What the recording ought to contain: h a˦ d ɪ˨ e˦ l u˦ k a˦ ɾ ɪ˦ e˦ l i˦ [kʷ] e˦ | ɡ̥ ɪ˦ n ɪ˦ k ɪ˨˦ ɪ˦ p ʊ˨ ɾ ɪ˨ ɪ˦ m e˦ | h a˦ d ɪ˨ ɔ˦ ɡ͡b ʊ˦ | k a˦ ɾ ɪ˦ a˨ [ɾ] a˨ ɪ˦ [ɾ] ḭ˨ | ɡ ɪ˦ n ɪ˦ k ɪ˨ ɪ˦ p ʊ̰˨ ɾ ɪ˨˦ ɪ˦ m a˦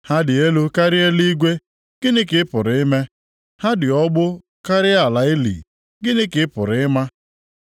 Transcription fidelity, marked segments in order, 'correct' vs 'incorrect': incorrect: ɡʷ, incorrect: l, incorrect: l

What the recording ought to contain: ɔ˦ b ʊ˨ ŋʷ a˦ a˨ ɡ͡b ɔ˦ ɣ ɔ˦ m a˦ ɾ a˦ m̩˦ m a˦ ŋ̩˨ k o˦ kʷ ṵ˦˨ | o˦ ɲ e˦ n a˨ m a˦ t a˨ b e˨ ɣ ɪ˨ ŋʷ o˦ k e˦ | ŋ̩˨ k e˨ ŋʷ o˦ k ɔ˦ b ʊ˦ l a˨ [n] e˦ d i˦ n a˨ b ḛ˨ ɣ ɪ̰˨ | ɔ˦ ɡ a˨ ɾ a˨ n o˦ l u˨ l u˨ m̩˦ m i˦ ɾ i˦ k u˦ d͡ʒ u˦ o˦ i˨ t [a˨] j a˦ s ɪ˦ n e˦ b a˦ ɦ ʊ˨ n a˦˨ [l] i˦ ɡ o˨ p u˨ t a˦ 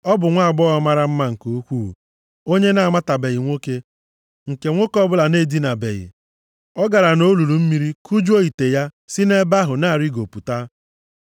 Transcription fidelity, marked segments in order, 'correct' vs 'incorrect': correct, incorrect: e˨, incorrect: ɾ

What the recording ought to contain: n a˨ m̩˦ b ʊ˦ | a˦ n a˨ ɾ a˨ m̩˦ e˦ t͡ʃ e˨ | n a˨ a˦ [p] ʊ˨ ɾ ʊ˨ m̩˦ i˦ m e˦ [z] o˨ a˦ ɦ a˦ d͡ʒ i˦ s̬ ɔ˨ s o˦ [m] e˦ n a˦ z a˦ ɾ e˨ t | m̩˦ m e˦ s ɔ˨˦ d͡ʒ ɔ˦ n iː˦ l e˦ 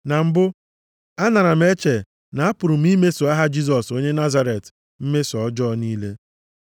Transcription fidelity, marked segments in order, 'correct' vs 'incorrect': correct, incorrect: s, incorrect: ɲ

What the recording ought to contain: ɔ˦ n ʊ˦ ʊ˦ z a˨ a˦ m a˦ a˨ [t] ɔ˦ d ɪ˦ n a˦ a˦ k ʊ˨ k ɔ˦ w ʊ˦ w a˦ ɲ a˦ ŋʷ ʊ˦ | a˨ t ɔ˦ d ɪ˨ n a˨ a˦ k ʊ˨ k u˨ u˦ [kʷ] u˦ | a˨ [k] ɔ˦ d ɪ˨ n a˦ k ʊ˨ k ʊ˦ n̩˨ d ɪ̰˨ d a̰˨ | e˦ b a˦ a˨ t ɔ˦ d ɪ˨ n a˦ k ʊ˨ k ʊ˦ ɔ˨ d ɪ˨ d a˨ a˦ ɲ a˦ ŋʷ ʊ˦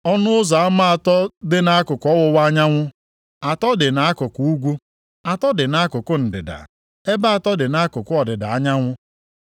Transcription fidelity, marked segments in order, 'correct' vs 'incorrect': correct, incorrect: ɡʷ, incorrect: t

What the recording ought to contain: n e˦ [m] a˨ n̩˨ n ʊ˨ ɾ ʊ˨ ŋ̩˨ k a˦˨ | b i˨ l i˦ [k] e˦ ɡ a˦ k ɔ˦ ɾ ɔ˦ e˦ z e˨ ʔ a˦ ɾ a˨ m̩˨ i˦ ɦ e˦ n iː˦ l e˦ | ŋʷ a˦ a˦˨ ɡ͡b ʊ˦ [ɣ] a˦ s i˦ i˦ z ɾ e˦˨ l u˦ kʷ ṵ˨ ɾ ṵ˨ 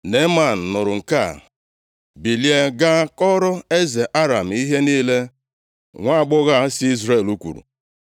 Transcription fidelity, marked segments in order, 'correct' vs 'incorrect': correct, incorrect: none, correct

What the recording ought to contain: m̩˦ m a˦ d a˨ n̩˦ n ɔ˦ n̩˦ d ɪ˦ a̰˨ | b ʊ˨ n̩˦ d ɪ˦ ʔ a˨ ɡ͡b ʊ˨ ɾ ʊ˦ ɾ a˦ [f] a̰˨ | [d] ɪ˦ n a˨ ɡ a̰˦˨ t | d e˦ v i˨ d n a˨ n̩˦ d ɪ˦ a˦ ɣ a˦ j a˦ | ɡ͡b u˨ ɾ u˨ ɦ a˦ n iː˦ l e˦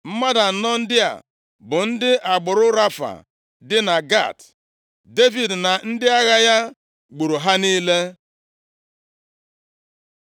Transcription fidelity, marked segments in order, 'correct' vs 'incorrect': correct, correct

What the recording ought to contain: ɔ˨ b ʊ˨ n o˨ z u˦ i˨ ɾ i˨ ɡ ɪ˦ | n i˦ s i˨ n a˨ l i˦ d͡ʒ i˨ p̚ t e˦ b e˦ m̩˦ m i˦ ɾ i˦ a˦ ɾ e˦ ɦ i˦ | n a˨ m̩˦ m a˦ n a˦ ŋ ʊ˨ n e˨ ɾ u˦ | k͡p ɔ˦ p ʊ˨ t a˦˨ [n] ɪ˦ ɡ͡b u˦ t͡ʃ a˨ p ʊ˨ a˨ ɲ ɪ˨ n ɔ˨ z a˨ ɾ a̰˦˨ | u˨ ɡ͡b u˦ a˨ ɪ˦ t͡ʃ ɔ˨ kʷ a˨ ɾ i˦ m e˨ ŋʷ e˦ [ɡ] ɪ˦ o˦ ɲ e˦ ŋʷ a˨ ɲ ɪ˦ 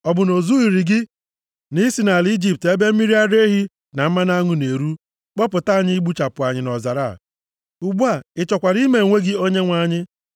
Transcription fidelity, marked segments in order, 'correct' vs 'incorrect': incorrect: ɲ, correct

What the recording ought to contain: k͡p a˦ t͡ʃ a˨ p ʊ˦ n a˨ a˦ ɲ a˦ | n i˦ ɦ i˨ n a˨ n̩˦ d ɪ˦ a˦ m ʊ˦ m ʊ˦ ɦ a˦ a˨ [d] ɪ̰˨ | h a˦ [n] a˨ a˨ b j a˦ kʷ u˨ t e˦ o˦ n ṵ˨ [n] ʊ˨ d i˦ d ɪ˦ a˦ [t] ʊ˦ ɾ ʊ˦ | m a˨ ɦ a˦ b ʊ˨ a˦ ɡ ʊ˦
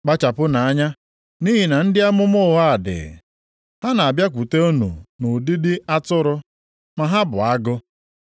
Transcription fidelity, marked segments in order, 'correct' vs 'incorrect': correct, correct, correct, correct

